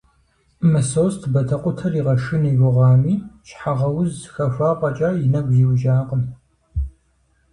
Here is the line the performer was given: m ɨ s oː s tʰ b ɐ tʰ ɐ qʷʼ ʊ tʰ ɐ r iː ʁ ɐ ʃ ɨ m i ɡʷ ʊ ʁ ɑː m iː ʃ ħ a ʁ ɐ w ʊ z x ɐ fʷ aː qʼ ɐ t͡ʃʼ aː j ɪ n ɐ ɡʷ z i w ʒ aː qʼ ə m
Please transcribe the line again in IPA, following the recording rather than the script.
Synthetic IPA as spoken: m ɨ s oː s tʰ b ɐ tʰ ɐ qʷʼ ʊ tʰ ɐ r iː ʁ ɐ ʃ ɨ n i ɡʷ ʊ ʁ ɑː m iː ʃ ħ a ʁ ɐ w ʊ z x ɐ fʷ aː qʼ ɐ t͡ʃʼ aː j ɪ n ɐ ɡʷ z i w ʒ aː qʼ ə m